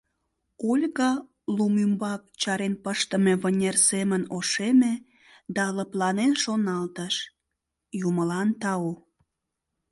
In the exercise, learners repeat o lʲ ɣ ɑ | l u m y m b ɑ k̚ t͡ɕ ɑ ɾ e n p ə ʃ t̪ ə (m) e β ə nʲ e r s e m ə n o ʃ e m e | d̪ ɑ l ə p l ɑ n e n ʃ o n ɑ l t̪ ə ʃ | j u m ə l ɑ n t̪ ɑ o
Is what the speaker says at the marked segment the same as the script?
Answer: yes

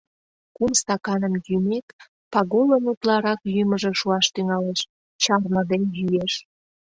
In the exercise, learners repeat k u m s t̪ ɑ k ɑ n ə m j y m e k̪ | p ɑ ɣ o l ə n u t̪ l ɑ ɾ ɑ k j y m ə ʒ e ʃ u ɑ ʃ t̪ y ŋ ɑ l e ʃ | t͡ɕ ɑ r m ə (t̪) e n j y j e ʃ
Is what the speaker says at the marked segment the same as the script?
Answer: no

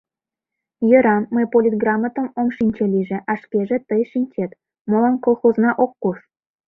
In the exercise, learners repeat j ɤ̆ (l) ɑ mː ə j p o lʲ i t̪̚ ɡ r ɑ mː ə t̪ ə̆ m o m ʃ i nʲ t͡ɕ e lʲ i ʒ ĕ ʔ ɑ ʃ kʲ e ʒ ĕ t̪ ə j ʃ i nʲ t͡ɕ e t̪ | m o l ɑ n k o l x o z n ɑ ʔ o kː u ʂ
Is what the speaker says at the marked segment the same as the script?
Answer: no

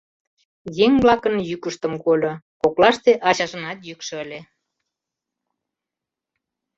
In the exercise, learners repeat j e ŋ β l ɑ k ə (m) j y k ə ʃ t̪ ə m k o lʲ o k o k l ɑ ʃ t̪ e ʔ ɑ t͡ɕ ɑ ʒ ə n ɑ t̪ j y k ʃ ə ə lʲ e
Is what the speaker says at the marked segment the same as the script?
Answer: no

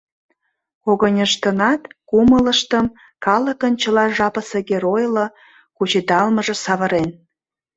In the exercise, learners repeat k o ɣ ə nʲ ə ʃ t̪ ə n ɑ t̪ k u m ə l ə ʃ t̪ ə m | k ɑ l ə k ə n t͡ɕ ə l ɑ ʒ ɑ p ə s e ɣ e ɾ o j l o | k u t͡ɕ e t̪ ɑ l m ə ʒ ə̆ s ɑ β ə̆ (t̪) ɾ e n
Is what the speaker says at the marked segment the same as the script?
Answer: no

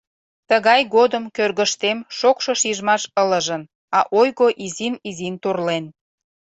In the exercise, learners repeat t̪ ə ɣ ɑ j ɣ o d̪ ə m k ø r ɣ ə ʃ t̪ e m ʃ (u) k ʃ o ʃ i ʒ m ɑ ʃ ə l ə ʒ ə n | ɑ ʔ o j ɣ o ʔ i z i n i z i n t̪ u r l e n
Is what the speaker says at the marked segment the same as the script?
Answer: no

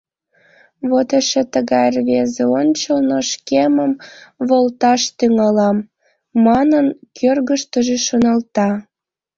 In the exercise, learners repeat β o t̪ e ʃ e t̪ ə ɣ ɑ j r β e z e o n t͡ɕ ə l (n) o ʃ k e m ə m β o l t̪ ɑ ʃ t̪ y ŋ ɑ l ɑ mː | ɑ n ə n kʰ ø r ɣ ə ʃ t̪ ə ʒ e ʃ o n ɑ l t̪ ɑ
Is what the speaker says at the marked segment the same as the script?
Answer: yes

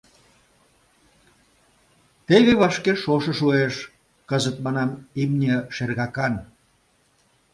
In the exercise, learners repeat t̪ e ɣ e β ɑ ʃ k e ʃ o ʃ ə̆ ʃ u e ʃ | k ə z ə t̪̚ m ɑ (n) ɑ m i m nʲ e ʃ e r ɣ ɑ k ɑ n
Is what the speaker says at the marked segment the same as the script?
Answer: yes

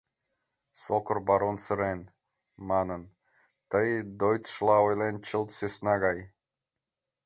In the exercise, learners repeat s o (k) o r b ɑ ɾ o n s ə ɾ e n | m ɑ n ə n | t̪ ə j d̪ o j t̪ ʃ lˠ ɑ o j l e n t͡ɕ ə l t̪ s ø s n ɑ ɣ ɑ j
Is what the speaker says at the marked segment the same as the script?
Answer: yes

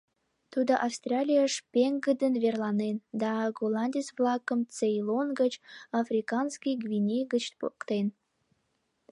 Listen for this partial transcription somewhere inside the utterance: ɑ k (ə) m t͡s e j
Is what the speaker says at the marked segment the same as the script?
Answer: yes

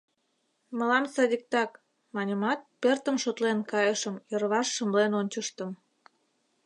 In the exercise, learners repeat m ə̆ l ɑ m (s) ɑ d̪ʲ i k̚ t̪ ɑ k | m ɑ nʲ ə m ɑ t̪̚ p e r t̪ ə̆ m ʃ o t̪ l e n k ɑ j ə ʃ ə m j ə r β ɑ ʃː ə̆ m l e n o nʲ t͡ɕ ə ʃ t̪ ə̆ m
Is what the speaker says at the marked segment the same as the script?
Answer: yes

